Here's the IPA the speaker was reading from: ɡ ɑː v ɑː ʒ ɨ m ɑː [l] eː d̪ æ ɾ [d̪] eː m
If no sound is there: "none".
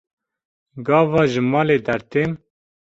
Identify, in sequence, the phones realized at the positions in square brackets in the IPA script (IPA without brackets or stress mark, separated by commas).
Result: l, t̪